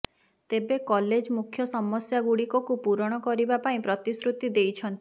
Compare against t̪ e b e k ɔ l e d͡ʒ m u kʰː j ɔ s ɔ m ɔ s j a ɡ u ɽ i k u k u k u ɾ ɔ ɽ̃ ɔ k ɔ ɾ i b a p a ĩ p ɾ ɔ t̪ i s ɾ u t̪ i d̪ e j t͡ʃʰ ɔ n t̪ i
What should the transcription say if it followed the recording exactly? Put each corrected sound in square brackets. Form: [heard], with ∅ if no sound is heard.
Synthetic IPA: t̪ e b e k ɔ l e d͡ʒ m u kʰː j ɔ s ɔ m ɔ s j a ɡ u ɽ i k [ɔ] k u [p] u ɾ ɔ ɽ̃ ɔ k ɔ ɾ i b a p a ĩ p ɾ ɔ t̪ i s ɾ u t̪ i d̪ e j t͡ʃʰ ɔ n t̪ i